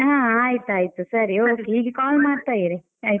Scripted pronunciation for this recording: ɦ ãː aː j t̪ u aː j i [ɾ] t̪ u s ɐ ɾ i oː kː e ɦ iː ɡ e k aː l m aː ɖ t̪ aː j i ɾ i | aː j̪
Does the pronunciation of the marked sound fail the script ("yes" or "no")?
yes